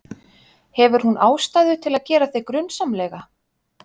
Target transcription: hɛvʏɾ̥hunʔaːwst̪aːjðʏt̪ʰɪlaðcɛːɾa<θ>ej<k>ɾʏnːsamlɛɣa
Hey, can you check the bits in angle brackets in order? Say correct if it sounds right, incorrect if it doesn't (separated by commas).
correct, correct